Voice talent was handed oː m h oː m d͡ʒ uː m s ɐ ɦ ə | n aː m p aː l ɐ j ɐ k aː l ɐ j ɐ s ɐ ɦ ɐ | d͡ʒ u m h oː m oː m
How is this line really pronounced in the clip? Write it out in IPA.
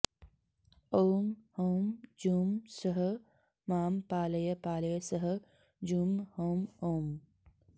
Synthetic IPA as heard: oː m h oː m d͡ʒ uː m s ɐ ɦ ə | m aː m p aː l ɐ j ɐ p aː l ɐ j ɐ s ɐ ɦ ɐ | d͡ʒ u m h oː m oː m